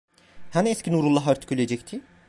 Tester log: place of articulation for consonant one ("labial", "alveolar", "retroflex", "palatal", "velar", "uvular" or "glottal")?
glottal